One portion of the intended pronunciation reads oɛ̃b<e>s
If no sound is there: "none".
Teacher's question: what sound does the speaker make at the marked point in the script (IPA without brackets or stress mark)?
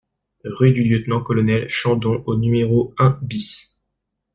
i